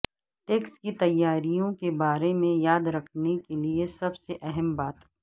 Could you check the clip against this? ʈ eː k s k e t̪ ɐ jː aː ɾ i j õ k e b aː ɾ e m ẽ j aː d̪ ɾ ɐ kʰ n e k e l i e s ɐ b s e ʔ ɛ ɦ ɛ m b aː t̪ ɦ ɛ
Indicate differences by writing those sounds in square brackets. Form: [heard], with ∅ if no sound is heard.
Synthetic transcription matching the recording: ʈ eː k s k [i] t̪ ɐ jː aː ɾ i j õ k e b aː ɾ e m ẽ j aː d̪ ɾ ɐ kʰ n e k e l i e s ɐ b s e ʔ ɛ ɦ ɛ m b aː t̪ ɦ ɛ